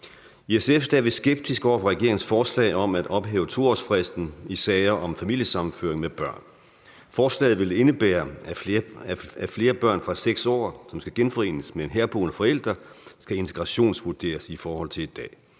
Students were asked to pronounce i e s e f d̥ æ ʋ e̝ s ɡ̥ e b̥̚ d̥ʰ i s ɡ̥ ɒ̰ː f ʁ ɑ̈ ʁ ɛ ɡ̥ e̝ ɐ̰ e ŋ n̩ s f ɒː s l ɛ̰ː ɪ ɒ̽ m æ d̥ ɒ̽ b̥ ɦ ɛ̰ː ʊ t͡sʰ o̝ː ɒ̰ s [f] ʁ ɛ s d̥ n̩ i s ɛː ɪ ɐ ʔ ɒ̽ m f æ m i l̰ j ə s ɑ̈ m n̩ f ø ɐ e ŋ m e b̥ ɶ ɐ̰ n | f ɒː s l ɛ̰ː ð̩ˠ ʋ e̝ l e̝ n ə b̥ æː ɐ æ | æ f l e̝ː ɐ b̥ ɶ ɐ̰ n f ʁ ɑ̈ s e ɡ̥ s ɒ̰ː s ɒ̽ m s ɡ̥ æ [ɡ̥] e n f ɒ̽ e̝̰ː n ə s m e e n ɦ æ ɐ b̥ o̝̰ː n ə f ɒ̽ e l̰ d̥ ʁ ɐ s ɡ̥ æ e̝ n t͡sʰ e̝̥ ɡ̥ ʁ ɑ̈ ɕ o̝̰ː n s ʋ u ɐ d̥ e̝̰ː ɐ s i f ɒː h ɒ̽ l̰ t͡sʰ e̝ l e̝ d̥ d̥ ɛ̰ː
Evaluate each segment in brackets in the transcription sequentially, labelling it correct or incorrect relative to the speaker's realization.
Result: correct, correct

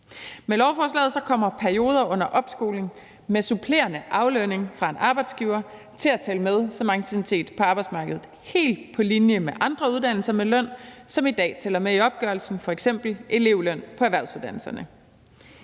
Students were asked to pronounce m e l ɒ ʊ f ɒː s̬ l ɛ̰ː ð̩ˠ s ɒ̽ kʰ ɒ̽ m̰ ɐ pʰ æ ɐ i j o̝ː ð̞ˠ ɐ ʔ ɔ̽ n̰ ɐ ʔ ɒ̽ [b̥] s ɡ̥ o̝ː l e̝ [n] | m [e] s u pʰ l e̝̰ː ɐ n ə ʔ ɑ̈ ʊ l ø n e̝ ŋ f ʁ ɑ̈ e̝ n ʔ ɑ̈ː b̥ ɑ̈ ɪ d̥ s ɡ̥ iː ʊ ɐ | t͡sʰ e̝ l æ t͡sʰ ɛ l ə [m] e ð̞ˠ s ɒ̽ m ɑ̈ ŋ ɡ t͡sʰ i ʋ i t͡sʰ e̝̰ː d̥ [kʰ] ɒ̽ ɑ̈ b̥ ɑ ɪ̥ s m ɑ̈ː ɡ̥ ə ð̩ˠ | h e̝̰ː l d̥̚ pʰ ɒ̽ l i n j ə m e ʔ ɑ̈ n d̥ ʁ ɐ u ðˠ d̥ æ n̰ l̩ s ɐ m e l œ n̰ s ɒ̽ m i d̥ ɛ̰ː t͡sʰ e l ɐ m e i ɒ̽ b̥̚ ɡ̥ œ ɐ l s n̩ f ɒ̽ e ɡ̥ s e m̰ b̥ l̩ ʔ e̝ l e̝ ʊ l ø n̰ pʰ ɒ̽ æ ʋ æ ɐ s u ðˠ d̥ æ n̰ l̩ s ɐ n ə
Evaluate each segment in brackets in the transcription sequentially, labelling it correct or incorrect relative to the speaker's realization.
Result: correct, incorrect, correct, correct, incorrect

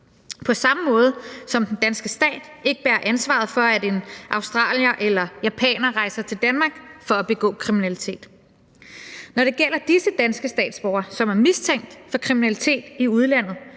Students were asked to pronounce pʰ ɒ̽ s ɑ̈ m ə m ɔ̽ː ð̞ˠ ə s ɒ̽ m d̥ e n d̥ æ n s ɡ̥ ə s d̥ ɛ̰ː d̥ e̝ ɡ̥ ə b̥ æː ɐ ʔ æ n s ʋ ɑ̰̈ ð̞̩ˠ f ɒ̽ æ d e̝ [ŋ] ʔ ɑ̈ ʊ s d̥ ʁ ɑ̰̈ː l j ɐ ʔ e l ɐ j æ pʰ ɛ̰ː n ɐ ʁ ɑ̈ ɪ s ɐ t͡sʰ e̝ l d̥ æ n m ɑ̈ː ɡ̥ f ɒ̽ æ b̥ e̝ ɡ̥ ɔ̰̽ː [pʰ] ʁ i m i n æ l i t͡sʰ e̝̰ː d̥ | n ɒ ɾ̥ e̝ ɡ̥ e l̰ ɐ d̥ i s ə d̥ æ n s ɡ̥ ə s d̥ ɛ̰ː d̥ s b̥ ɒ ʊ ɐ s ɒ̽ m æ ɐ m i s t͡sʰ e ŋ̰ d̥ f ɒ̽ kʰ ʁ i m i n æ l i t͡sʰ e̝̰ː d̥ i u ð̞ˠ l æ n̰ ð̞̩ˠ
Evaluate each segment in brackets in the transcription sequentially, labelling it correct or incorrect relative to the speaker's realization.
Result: incorrect, incorrect

